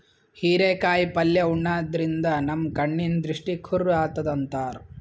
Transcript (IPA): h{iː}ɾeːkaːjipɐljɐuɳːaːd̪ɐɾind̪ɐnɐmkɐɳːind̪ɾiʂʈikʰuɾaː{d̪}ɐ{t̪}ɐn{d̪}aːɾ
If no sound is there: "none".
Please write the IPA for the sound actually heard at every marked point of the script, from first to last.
iː, t̪, d̪, t̪

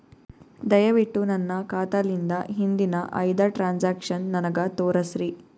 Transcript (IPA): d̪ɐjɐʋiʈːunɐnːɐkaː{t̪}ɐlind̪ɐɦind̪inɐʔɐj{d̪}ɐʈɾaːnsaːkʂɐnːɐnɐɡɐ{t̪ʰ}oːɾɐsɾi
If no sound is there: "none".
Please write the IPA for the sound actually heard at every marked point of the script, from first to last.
t̪, d̪, t̪

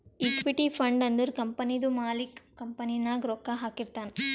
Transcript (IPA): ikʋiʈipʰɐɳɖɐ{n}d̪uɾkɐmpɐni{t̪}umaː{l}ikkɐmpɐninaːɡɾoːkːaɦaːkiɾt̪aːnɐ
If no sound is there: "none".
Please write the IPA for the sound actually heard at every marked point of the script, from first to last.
n, d̪, l

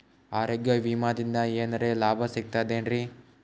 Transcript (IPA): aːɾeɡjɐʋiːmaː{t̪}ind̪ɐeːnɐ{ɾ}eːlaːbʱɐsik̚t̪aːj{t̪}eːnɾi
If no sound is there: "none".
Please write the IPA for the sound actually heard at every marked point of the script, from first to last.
d̪, ɾ, d̪

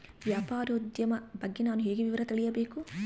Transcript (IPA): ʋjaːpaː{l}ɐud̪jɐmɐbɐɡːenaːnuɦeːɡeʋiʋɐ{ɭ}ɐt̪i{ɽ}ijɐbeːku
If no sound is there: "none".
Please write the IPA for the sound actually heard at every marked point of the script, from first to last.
ɾ, ɾ, ɭ

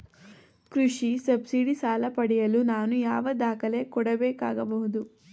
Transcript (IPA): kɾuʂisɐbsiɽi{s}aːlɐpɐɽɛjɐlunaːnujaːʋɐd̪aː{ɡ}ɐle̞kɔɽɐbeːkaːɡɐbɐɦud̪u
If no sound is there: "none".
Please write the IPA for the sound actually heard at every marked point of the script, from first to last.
s, k

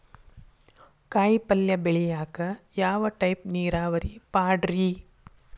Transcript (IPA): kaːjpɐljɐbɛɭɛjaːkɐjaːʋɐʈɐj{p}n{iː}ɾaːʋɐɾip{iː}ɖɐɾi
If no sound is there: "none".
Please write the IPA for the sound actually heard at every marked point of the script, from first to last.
p, iː, aː

